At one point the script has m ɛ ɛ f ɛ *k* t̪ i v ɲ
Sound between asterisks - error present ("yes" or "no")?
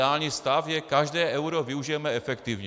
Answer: no